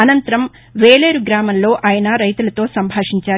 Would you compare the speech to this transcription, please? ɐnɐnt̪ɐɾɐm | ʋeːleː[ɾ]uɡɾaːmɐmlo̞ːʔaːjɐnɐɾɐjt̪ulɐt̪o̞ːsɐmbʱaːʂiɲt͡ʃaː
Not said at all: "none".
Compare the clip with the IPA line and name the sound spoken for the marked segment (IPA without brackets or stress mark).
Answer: ɾ